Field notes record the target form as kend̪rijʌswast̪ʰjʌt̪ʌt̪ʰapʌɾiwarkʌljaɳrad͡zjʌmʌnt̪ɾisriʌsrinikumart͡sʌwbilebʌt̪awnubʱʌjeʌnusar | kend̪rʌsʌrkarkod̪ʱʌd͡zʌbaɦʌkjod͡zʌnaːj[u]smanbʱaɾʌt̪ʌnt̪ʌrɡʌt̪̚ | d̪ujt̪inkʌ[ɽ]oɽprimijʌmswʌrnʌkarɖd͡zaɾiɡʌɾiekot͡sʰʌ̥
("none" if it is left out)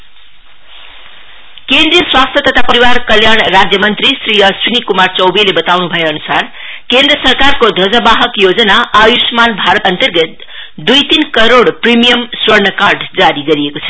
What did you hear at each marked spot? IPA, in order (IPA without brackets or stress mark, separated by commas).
u, ɾ